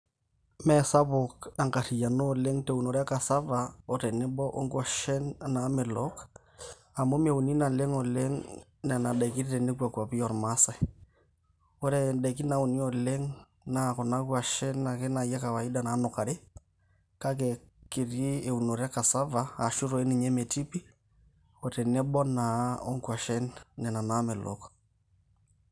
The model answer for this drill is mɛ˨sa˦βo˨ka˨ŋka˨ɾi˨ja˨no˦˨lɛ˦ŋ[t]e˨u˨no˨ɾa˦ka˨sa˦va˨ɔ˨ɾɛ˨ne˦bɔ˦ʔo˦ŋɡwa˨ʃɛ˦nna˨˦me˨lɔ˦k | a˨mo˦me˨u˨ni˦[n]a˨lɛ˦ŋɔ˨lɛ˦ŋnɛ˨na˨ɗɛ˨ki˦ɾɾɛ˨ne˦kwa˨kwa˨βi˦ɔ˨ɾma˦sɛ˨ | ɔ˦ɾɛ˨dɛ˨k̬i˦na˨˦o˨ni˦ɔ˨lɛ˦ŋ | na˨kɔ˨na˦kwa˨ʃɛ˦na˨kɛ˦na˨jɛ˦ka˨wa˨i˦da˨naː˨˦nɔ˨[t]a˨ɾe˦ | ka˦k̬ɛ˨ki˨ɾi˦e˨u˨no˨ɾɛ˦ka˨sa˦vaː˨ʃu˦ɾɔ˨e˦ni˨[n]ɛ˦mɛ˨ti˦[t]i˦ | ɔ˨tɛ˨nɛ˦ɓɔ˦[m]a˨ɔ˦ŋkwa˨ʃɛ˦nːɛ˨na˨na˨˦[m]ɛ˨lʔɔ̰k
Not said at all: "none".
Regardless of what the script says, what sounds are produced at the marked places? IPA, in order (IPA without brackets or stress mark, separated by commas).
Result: t, n, k, ɲ, p, n, m